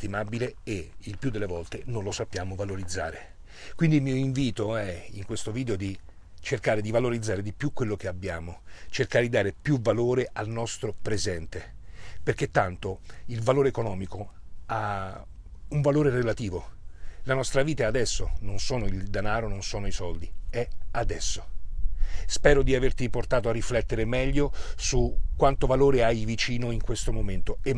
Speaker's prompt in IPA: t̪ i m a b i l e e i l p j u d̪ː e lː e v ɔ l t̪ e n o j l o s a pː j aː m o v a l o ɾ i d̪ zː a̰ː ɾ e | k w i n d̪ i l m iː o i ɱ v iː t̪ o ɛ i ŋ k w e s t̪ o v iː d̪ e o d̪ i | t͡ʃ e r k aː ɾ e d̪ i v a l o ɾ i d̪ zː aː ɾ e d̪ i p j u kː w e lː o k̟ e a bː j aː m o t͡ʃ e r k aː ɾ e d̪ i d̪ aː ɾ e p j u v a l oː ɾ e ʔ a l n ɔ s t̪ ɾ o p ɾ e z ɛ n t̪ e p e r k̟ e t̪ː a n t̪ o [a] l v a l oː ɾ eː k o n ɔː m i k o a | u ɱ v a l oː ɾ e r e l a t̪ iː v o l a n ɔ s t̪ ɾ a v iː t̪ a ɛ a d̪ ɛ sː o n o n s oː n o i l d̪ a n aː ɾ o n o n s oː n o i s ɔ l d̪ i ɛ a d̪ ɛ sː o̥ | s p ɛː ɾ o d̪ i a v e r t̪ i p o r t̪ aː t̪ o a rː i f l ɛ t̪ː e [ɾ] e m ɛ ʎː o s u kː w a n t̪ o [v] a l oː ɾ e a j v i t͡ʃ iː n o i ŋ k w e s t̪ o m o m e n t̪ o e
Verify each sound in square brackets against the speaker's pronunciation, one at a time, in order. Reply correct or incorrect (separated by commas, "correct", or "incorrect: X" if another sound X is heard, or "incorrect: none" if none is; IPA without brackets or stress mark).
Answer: incorrect: i, correct, correct